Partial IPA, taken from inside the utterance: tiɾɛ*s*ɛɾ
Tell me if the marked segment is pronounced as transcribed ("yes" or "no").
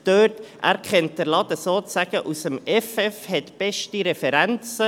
no